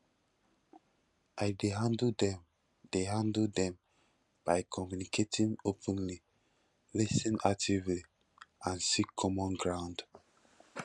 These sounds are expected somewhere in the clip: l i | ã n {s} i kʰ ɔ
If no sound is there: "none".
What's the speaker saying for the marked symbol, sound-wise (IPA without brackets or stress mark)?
s